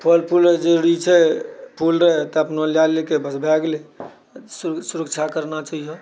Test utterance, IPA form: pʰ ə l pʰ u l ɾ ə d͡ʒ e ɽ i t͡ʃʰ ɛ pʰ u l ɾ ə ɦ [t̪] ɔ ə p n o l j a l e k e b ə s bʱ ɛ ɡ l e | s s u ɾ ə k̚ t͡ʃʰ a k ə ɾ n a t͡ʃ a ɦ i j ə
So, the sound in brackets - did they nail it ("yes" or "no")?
yes